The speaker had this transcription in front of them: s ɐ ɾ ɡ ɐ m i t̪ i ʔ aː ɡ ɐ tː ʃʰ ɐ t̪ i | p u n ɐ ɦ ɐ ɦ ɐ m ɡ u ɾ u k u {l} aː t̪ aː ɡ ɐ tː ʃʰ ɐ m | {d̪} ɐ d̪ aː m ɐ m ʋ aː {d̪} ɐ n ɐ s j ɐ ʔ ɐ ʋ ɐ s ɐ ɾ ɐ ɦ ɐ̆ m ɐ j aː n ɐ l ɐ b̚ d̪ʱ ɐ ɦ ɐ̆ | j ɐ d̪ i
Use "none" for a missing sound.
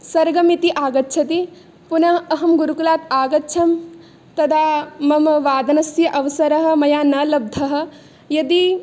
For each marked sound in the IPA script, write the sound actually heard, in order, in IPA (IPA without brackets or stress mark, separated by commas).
l, t̪, d̪